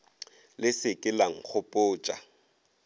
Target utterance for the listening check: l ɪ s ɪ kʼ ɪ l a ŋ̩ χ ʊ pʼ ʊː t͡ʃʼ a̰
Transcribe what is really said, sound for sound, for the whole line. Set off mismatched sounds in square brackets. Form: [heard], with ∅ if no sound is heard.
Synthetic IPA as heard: l ɪ s ɪ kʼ ɪ l a ŋ̩ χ ʊ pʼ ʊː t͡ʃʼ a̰